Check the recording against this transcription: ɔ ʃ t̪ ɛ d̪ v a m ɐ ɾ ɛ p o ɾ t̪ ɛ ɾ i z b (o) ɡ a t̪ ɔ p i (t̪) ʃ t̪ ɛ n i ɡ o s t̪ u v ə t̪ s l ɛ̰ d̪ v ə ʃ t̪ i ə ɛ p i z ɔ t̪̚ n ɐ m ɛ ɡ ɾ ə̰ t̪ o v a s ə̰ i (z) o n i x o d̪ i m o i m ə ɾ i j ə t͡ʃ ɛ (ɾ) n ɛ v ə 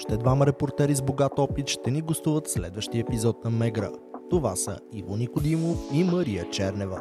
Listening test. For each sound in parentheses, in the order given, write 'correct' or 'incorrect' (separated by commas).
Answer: correct, correct, incorrect, correct